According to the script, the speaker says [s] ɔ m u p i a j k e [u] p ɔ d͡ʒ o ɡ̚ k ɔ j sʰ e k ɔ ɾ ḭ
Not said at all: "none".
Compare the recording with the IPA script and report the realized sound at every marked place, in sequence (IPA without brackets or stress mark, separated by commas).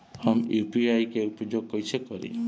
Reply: h, u